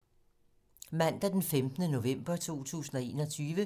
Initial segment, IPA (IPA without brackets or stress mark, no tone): m